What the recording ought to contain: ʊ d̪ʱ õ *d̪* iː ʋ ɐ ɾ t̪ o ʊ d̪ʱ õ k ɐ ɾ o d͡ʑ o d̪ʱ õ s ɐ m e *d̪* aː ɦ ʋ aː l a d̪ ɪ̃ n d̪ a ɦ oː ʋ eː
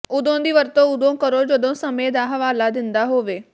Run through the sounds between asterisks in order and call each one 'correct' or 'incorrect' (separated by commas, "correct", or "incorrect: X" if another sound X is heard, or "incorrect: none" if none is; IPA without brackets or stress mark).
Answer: correct, correct